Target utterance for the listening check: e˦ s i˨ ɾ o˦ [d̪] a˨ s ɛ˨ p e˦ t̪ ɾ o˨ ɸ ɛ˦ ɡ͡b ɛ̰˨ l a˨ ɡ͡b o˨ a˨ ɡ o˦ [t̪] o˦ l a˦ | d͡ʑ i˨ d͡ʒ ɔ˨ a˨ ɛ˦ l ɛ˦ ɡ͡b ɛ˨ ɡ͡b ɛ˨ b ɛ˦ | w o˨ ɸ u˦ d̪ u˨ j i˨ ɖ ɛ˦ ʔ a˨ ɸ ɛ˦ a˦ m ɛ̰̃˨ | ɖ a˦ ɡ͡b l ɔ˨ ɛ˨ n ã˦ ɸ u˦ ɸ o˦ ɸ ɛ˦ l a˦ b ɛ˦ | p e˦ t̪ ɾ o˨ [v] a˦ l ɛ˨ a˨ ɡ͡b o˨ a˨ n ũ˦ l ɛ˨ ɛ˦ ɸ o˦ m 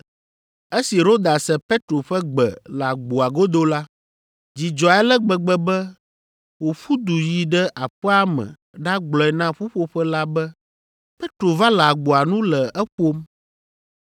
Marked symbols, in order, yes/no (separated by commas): yes, no, yes